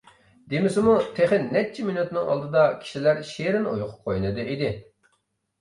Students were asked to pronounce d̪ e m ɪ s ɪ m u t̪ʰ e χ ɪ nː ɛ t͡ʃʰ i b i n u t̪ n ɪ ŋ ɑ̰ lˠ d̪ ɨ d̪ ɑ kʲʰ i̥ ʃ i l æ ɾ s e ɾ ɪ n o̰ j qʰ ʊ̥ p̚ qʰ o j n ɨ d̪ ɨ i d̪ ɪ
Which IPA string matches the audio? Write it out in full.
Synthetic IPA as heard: d̪ e m ɪ s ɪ m u t̪ʰ e χ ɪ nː ɛ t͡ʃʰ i m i n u t̪ n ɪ ŋ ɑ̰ lˠ d̪ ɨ d̪ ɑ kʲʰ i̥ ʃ i l æ ɾ ʃ e ɾ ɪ n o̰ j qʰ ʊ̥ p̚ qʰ o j n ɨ d̪ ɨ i d̪ ɪ

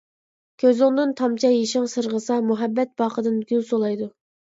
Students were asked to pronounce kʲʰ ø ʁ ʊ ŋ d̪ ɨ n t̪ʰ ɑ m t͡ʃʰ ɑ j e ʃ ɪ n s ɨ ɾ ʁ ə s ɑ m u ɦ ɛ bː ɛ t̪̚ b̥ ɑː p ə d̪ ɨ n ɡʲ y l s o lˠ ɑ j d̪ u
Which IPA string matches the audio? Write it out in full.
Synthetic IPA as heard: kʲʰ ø z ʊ ŋ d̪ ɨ n t̪ʰ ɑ m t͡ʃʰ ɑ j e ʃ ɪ ŋ s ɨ ɾ ʁ ə s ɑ m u ɦ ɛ bː ɛ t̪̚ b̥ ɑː q ə d̪ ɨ n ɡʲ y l s o lˠ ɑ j d̪ u

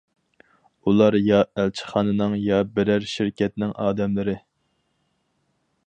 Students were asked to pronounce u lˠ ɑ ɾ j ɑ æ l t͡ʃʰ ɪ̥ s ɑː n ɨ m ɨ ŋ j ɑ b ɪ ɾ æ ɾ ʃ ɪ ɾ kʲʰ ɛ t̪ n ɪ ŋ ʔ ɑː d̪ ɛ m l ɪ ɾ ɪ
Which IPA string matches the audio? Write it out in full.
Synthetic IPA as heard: u lˠ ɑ ɾ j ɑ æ l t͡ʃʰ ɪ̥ χ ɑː n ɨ n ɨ ŋ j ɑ b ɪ ɾ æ ɾ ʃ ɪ ɾ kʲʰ ɛ t̪ n ɪ ŋ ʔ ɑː d̪ ɛ m l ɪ ɾ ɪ

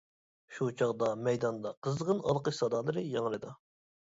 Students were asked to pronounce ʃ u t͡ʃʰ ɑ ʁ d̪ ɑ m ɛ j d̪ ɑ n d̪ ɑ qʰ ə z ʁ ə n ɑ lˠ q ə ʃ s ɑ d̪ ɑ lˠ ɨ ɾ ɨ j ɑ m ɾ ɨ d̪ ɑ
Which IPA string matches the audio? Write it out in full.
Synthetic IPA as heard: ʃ u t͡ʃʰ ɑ ʁ d̪ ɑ m ɛ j d̪ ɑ n d̪ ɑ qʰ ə z ʁ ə n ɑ lˠ q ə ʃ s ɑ d̪ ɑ lˠ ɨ ɾ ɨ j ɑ ŋ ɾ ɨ d̪ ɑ

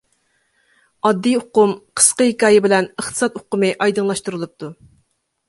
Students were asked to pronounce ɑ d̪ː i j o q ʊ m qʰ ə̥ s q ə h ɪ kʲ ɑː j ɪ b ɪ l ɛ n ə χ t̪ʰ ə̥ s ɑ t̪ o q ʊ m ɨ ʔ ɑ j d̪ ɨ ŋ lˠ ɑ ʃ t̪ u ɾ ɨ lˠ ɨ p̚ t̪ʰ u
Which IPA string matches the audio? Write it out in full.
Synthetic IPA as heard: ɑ d̪ː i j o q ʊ m qʰ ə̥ s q ə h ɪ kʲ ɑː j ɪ b ɪ l ɛ n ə χ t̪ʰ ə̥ s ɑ t̪ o q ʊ m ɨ ʔ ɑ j d̪ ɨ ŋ lˠ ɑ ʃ t̪ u ɾ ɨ lˠ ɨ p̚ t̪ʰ u

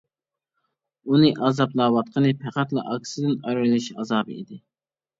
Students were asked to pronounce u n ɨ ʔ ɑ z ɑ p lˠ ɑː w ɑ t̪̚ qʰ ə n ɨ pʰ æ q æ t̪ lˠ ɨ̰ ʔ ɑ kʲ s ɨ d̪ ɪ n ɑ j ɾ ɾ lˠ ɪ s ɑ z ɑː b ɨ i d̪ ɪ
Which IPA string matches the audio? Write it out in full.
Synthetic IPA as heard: u n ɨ ʔ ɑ z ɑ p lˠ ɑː w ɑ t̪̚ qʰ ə n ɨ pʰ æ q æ t̪ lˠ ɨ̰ ʔ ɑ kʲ s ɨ d̪ ɪ n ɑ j ɾ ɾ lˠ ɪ ʃ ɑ z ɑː b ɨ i d̪ ɪ

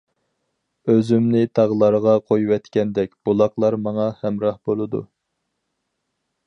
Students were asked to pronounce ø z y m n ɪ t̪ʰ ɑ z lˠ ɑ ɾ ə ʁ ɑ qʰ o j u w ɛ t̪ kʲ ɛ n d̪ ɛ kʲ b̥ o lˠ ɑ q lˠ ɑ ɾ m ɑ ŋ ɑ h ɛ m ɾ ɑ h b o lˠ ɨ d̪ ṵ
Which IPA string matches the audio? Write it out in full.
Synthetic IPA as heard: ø z y m n ɪ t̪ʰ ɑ ʁ lˠ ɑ ɾ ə ʁ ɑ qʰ o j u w ɛ t̪ kʲ ɛ n d̪ ɛ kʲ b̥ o lˠ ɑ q lˠ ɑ ɾ m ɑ ŋ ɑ h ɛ m ɾ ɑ h b o lˠ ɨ d̪ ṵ

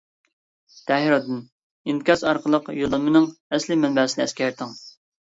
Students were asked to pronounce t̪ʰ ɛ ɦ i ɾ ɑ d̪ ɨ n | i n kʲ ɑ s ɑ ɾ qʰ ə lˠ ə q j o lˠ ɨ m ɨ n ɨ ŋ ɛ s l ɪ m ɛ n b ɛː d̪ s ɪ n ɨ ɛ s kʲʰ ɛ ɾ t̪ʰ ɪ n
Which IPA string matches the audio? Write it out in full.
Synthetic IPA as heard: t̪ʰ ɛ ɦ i ɾ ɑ d̪ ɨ n | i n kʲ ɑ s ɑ ɾ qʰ ə lˠ ə q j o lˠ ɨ m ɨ n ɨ ŋ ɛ s l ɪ m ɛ n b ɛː s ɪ n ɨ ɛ s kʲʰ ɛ ɾ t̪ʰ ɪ ŋ

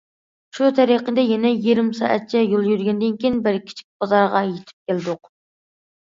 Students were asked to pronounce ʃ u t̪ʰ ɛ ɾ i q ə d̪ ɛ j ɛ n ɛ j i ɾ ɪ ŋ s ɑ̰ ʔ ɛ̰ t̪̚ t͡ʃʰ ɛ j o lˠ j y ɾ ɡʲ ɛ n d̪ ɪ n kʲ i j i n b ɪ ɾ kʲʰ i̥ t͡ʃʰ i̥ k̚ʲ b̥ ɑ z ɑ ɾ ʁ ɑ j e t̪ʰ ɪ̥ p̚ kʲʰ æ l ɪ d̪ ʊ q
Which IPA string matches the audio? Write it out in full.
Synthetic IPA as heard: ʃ u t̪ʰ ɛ ɾ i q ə d̪ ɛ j ɛ n ɛ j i ɾ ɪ m s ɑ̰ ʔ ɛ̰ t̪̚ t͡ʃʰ ɛ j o lˠ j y ɾ ɡʲ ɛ n d̪ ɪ n kʲ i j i n b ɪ ɾ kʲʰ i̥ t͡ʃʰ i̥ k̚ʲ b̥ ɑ z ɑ ɾ ʁ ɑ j e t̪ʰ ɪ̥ p̚ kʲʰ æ l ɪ d̪ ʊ q

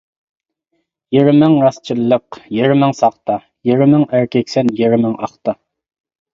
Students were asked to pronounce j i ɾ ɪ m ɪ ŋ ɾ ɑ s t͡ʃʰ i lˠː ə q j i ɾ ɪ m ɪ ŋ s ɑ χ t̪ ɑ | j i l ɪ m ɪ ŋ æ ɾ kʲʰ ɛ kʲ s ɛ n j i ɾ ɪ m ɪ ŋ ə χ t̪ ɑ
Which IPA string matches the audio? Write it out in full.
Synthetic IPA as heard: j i ɾ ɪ m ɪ ŋ ɾ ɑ s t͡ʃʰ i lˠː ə q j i ɾ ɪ m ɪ ŋ s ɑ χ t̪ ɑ | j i ɾ ɪ m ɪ ŋ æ ɾ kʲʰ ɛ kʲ s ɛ n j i ɾ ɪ m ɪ ŋ ɑ χ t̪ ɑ

